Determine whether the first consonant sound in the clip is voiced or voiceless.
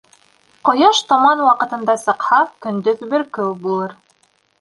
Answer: voiceless